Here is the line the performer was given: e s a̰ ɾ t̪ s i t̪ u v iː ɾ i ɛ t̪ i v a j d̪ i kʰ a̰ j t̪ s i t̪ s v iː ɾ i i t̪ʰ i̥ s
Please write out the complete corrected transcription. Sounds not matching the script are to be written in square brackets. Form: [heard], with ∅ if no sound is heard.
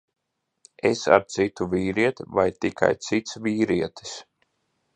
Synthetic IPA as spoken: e s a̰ ɾ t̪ s i t̪ u v iː ɾ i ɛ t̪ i v a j [t̪] i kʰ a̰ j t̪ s i t̪ s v iː ɾ i [ɛ] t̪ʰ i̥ s